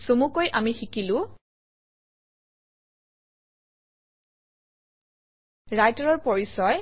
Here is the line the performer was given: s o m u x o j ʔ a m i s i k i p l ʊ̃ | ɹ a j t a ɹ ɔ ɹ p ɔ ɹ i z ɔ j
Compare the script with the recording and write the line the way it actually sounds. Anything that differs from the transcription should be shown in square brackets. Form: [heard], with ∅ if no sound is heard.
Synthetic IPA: s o m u [k] o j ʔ a m i [x] i k i [∅] l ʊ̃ | ɹ a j t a ɹ ɔ ɹ p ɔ ɹ i [s] ɔ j